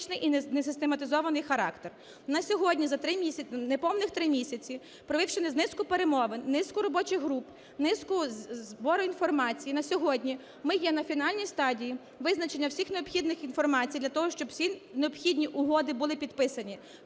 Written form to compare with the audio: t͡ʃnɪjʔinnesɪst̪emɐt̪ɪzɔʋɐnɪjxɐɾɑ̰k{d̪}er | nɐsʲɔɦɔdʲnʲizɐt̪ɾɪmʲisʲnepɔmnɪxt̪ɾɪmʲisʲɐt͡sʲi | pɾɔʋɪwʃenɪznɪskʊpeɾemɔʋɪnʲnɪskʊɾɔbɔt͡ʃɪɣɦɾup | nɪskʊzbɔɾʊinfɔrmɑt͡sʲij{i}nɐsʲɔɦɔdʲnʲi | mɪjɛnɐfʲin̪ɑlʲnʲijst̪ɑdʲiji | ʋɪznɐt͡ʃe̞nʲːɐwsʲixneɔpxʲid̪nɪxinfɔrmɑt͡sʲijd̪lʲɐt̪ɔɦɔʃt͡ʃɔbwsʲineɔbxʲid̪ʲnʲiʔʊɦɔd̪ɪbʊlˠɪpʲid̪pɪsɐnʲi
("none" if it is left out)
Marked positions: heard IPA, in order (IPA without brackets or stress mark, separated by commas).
t̪, i